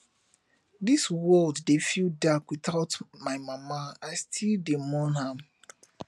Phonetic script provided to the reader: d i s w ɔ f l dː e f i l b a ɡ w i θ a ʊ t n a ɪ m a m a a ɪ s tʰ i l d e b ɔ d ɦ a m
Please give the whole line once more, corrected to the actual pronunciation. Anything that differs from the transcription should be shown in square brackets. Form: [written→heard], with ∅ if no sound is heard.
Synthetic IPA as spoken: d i s w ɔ [f→∅] l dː e f i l [b→d] a [ɡ→k] w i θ a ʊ t [n→m] a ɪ m a m a a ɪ s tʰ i l d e [b→m] ɔ [d→n] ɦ a m